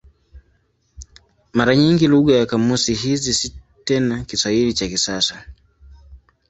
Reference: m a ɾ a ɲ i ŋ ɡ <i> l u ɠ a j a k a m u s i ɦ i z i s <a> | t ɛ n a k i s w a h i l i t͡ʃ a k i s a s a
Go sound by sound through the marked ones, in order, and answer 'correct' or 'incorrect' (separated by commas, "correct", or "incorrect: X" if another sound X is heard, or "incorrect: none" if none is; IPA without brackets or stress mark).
correct, incorrect: i